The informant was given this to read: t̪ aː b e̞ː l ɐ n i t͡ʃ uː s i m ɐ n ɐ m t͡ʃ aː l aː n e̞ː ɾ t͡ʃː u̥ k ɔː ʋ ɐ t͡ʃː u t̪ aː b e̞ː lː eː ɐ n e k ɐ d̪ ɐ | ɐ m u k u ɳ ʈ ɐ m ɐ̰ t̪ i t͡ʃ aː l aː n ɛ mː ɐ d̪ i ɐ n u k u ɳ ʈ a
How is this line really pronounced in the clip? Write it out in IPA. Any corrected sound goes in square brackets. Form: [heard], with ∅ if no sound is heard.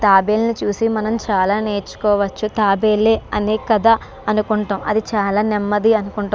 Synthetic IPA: t̪ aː b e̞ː l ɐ n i t͡ʃ uː s i m ɐ n ɐ m t͡ʃ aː l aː n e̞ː ɾ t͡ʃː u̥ k ɔː ʋ ɐ t͡ʃː u t̪ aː b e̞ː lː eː ɐ n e k ɐ d̪ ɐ | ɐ [n] u k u ɳ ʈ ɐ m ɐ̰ [d̪] i t͡ʃ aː l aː n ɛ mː ɐ d̪ i ɐ n u k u ɳ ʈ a

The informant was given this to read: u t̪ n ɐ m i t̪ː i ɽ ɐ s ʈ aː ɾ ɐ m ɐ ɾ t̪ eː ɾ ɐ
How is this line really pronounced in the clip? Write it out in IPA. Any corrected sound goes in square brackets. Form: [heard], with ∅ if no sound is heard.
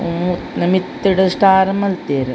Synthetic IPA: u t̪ n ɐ m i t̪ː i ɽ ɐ s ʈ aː ɾ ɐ m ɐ [l] t̪ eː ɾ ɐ

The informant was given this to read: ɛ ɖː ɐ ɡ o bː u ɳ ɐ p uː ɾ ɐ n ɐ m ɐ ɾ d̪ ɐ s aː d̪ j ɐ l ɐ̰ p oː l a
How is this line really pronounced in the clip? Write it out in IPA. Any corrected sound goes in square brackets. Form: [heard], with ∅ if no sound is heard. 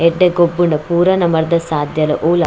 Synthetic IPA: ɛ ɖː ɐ ɡ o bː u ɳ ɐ p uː ɾ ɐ n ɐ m ɐ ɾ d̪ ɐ s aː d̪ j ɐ l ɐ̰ [ʔ] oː l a

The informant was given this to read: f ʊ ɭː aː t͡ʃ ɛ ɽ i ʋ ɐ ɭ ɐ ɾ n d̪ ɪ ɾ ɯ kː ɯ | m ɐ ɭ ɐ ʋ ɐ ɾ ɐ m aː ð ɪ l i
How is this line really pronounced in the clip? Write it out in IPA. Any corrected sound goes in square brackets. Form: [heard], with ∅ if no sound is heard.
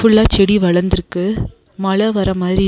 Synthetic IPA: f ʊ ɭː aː t͡ʃ ɛ ɽ i ʋ ɐ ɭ ɐ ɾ n d̪ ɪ ɾ ɯ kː ɯ | m ɐ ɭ ɐ ʋ ɐ ɾ ɐ m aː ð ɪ [ɾ] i

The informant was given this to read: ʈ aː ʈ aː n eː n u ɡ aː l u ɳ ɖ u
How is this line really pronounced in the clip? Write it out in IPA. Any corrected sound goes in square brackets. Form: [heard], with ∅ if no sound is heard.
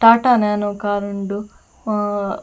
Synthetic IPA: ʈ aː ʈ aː n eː n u [k] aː [ɾ] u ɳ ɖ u

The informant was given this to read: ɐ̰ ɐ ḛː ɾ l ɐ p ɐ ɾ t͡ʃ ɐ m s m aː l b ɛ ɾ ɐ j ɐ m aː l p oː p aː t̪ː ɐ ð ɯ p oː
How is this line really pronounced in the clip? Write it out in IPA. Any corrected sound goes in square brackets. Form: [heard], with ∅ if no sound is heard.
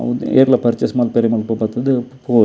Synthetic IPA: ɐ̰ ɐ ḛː ɾ l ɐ p ɐ ɾ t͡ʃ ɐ [∅] s m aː l [p] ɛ ɾ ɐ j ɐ m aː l p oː p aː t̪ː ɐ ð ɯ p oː

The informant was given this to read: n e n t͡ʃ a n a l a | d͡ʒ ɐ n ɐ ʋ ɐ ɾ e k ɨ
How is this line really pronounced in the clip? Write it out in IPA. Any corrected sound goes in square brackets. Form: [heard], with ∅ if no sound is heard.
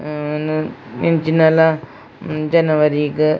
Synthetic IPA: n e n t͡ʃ [i] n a l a | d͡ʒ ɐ n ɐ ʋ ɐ ɾ [i] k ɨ

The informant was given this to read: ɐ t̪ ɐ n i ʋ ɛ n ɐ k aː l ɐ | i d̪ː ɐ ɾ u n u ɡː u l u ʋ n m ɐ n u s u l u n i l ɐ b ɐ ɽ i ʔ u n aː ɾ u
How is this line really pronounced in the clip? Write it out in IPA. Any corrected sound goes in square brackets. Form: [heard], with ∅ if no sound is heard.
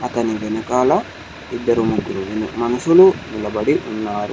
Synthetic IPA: ɐ t̪ ɐ n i ʋ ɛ n ɐ k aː l ɐ | i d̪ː ɐ ɾ u [m] u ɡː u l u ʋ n m ɐ n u s u l u n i l ɐ b ɐ ɽ i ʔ u [nː] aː ɾ u

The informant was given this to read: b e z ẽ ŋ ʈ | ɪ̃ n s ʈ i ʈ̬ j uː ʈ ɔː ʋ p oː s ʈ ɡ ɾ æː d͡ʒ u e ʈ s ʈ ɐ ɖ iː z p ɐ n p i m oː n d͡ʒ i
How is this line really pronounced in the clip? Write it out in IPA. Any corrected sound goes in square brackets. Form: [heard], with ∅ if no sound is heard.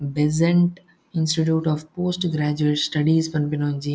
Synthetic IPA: b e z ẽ [ɳ] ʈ | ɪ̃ n s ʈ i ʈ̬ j uː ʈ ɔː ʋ p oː s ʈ ɡ ɾ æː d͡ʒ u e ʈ s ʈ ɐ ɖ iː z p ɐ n p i [n] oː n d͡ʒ i

